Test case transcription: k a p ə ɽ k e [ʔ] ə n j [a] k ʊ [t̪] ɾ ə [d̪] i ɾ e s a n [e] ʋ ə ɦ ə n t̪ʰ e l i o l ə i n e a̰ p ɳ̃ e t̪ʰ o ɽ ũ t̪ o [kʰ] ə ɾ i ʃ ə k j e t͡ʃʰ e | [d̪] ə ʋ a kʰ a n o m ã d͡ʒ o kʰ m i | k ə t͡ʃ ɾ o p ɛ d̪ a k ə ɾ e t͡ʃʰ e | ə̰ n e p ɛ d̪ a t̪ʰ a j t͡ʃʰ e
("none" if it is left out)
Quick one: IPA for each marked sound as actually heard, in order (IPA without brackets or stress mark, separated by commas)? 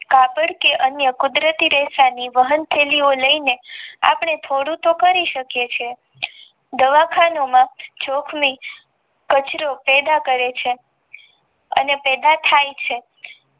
ʔ, ə, d̪, t̪, i, k, d̪